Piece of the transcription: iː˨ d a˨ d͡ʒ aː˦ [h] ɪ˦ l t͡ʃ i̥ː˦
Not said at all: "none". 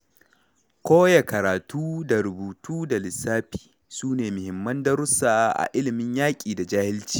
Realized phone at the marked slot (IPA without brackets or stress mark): h